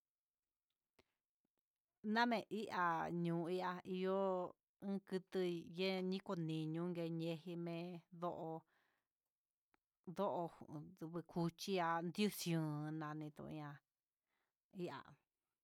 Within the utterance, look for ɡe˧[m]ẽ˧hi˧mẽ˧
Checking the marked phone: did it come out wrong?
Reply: yes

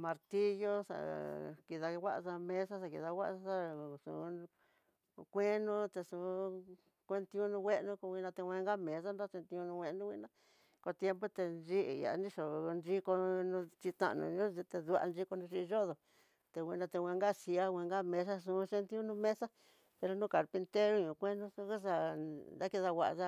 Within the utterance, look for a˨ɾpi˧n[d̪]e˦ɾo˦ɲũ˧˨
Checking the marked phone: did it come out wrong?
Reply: yes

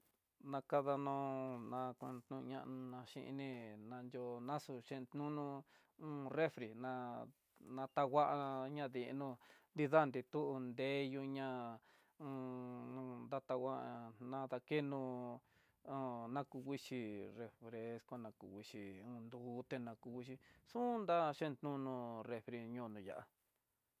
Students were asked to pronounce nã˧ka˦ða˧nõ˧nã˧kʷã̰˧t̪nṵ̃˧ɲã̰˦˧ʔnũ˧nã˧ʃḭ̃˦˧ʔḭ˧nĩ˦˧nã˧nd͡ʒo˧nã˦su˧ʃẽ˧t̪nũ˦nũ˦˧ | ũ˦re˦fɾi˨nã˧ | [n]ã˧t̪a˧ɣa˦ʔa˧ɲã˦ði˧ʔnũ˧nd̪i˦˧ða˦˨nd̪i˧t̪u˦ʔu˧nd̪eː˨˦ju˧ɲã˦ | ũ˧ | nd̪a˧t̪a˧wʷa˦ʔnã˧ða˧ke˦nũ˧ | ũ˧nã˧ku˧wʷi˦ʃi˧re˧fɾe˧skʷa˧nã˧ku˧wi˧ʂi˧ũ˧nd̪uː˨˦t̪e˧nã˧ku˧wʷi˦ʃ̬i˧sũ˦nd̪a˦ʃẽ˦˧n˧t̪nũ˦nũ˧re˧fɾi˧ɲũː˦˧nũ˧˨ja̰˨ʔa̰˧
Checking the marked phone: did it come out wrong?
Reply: no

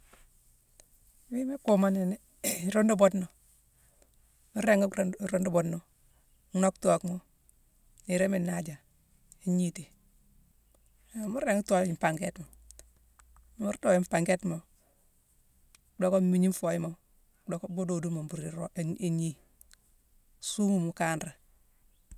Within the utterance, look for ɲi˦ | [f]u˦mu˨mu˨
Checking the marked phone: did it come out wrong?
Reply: yes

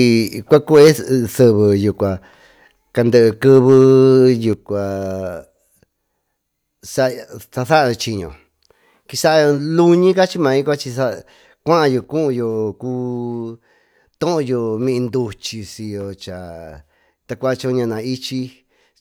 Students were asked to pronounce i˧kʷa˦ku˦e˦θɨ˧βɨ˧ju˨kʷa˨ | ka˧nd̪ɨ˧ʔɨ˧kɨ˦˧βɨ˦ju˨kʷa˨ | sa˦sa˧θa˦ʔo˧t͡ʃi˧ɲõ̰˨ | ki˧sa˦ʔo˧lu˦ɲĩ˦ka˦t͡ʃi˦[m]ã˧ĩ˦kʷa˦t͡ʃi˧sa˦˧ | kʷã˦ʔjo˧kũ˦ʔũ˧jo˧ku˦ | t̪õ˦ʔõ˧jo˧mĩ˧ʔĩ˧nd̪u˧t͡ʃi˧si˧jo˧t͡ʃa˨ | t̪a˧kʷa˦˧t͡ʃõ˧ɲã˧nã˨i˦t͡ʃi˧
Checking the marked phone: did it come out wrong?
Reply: no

